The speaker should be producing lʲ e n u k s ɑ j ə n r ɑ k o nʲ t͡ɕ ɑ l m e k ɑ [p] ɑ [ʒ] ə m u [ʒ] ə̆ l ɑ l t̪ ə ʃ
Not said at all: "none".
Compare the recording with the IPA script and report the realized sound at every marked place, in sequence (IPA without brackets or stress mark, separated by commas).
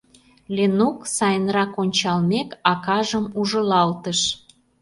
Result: k, ʒ, ʒ